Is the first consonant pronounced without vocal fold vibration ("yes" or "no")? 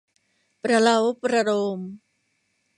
yes